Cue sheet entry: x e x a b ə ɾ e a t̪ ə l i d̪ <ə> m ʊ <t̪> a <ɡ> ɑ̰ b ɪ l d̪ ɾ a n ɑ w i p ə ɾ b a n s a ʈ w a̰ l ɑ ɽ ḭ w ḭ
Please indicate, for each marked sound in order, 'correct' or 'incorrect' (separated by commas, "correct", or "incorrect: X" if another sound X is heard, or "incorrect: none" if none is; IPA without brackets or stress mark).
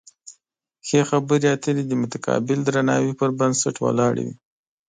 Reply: correct, correct, incorrect: k